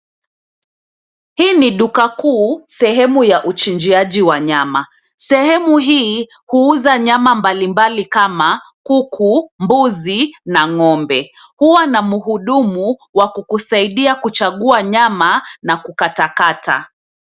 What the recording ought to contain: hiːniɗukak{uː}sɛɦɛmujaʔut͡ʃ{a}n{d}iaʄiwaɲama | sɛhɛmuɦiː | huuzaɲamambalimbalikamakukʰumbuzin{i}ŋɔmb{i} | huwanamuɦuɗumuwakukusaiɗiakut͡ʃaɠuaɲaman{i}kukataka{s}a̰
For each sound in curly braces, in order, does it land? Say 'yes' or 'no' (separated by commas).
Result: yes, no, no, no, no, no, no